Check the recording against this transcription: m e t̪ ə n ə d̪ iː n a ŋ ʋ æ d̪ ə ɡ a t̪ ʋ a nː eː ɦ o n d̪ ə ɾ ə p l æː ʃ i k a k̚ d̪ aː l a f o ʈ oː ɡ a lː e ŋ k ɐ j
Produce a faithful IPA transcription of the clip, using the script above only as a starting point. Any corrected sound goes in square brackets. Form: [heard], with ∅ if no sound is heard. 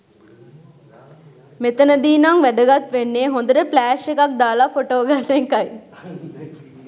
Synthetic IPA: m e t̪ ə n ə d̪ iː n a ŋ ʋ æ d̪ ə ɡ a t̪ ʋ [e] nː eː ɦ o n d̪ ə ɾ ə p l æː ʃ [e] k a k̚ d̪ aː l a f o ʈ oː ɡ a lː e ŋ k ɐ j